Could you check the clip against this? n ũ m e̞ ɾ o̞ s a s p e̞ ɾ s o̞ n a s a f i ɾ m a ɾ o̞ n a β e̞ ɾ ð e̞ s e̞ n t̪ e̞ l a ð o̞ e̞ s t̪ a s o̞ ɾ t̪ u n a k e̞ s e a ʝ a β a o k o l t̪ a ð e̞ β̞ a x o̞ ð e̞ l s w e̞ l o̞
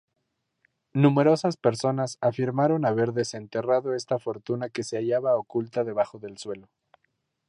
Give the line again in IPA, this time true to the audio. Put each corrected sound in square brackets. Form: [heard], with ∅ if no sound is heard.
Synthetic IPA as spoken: n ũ m e̞ ɾ o̞ s a s p e̞ ɾ s o̞ n a s a f i ɾ m a ɾ o̞ n a β e̞ ɾ ð e̞ s e̞ n t̪ e̞ [r] a ð o̞ e̞ s t̪ a [f] o̞ ɾ t̪ u n a k e̞ s e a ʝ a β a o k [u] l t̪ a ð e̞ β̞ a x o̞ ð e̞ l s w e̞ l o̞

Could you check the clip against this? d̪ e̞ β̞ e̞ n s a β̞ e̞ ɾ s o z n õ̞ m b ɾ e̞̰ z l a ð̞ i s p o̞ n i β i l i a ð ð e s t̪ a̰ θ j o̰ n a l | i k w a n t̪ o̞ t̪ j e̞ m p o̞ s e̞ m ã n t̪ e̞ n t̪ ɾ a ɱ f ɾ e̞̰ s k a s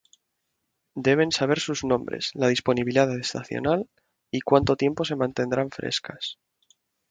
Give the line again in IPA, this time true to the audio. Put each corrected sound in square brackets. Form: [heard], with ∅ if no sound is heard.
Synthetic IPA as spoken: d̪ e̞ β̞ e̞ n s a β̞ e̞ ɾ s [u] z n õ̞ m b ɾ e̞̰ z l a ð̞ i s p o̞ n i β i l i a ð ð e s t̪ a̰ θ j o̰ n a l | i k w a n t̪ o̞ t̪ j e̞ m p o̞ s e̞ m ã n t̪ e̞ n [d̪] ɾ a ɱ f ɾ e̞̰ s k a s

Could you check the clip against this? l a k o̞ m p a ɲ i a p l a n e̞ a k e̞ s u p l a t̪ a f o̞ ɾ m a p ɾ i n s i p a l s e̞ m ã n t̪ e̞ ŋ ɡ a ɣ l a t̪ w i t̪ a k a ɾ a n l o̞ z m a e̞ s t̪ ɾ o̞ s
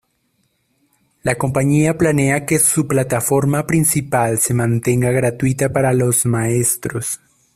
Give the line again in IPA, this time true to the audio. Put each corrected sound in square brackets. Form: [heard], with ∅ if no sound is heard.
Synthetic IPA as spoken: l a k o̞ m p a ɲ i a p l a n e̞ a k e̞ s u p l a t̪ a f o̞ ɾ m a p ɾ i n s i p a l s e̞ m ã n t̪ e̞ ŋ ɡ a ɣ [ɾ] a t̪ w i t̪ a [p] a ɾ a [∅] l o̞ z m a e̞ s t̪ ɾ o̞ s

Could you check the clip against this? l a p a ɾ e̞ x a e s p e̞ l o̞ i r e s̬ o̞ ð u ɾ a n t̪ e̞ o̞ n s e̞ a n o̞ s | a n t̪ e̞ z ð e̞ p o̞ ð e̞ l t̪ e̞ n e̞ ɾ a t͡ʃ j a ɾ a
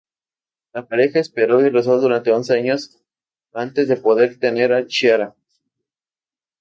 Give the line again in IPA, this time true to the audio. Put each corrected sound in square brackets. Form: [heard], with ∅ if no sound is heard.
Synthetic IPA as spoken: l a p a ɾ e̞ x a e s p e̞ [ɾ] o̞ i r e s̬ o̞ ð u ɾ a n t̪ e̞ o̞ n s e̞ a [ɲ] o̞ s | a n t̪ e̞ z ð e̞ p o̞ ð e̞ [ɾ] t̪ e̞ n e̞ ɾ a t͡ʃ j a ɾ a

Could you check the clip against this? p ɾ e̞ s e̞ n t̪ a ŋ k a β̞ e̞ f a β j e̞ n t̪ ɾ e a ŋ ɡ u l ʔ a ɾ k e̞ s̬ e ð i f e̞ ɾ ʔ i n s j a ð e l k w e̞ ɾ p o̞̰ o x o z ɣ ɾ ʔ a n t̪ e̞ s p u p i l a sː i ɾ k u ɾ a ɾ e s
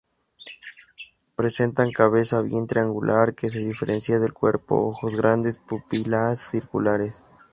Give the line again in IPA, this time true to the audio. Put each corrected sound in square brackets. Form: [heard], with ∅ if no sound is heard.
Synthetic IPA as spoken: p ɾ e̞ s e̞ n t̪ a ŋ k a β̞ e̞ [s] a β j e̞ n t̪ ɾ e a ŋ ɡ u l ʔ a ɾ k e̞ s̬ e ð i f e̞ ɾ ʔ [e] n s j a ð e l k w e̞ ɾ p o̞̰ o x o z ɣ ɾ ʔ a n [d̪] e̞ s p u p i l a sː i ɾ k u [l] a ɾ e s

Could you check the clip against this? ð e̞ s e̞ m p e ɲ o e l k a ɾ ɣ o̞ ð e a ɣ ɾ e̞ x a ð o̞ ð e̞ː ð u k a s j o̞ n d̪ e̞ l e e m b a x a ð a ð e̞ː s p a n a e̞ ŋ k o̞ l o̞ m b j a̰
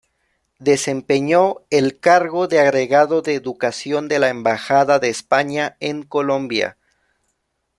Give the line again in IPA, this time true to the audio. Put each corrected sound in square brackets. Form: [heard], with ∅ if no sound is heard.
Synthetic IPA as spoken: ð e̞ s e̞ m p e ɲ o e l k a ɾ ɣ o̞ ð e a ɣ ɾ e̞ [ɣ] a ð o̞ ð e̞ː ð u k a s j o̞ n d̪ e̞ l [a] e m b a x a ð a ð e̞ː s p a [ɲ] a e̞ ŋ k o̞ l o̞ m b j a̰

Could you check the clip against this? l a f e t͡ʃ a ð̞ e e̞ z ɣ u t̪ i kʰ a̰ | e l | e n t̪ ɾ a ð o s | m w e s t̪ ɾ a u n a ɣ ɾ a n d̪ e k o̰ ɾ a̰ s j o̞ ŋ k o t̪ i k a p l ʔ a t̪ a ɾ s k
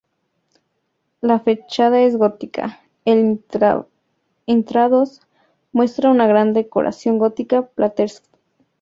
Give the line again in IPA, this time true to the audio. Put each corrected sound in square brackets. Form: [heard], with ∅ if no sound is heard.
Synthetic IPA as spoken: l a f e t͡ʃ a ð̞ [a] e̞ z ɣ [o] t̪ i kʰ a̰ | e l | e n t̪ ɾ a ð o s | m w e s t̪ ɾ a u n a ɣ ɾ a n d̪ e k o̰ ɾ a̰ s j o̞ ŋ [ɡ] o t̪ i k a p l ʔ a t̪ [e] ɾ s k

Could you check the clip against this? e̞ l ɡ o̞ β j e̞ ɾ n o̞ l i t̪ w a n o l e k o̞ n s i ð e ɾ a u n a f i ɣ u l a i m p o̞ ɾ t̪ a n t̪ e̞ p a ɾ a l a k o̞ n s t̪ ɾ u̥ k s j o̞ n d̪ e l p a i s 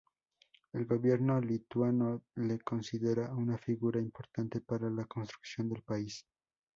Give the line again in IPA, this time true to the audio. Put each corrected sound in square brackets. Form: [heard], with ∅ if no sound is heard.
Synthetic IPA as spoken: e̞ l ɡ o̞ β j e̞ ɾ n o̞ l i t̪ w a n o l e k o̞ n s i ð e ɾ a u n a f i ɣ u [ɾ] a i m p o̞ ɾ t̪ a n t̪ e̞ p a ɾ a l a k o̞ n s t̪ ɾ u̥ k s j o̞ n d̪ e l p a i s

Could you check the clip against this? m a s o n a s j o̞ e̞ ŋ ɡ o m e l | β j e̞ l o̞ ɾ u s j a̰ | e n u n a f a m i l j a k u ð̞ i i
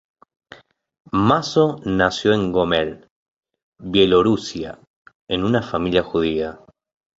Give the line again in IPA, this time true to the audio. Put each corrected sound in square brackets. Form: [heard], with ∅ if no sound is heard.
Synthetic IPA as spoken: m a s o n a s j o̞ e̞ ŋ ɡ o m e l | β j e̞ l o̞ ɾ u s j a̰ | e n u n a f a m i l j a [x] u ð̞ i [a]

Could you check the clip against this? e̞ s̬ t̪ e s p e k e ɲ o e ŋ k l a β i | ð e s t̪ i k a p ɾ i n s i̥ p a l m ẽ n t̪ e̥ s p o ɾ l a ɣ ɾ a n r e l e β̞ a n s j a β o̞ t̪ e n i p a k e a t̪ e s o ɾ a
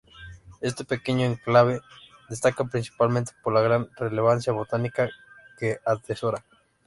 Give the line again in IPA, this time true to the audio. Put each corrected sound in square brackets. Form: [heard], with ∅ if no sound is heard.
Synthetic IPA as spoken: e̞ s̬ t̪ e [∅] p e k e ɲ o e ŋ k l a β [e] | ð e s t̪ [a] k a p ɾ i n s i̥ p a l m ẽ n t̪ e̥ [∅] p o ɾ l a ɣ ɾ a n r e l e β̞ a n s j a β o̞ t̪ [a] n i [k] a k e a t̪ e s o ɾ a

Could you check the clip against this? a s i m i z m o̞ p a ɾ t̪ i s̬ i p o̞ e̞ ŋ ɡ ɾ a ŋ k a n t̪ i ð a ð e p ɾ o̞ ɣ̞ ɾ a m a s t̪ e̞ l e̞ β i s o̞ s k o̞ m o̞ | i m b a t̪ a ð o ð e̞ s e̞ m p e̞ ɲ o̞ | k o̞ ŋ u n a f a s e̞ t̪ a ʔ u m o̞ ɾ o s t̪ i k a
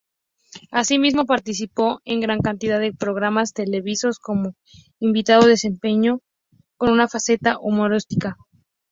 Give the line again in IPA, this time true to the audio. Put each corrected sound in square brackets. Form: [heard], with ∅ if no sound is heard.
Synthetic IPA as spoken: a s i m i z m o̞ p a ɾ t̪ i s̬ i p o̞ e̞ ŋ ɡ ɾ a ŋ k a n t̪ i ð a ð e p ɾ o̞ ɣ̞ ɾ a m a s t̪ e̞ l e̞ β i s o̞ s k o̞ m o̞ | i m b [i] t̪ a ð o ð e̞ s e̞ m p e̞ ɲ o̞ | k o̞ [n] u n a f a s e̞ t̪ a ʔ u m o̞ ɾ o s t̪ i k a

